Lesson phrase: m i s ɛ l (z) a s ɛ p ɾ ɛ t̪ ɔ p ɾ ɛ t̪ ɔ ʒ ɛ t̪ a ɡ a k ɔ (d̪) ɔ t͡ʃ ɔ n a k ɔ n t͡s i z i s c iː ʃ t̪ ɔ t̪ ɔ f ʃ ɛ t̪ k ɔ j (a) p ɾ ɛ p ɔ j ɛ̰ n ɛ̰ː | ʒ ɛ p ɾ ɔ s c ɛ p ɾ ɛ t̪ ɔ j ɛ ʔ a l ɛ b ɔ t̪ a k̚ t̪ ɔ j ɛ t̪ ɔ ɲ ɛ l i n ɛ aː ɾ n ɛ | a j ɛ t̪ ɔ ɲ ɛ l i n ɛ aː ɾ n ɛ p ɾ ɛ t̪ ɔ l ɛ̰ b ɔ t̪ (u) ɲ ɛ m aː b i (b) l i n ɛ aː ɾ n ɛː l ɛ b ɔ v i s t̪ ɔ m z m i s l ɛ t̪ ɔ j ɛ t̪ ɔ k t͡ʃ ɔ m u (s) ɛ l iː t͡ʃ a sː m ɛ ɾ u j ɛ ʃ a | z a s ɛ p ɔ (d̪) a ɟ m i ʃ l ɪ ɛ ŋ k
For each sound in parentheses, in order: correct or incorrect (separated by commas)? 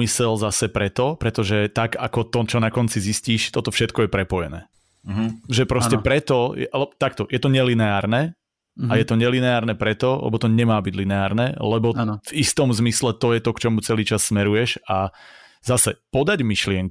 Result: correct, incorrect, incorrect, incorrect, incorrect, incorrect, correct